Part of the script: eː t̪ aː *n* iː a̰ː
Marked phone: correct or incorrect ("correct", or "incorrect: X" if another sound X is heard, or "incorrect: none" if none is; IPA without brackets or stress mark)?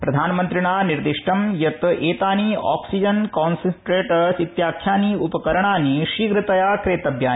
correct